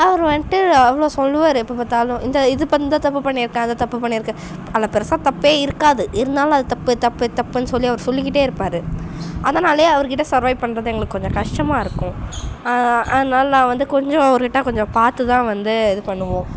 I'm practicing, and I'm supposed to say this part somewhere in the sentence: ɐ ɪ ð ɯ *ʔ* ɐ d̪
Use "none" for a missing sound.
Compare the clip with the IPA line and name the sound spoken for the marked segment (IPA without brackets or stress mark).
p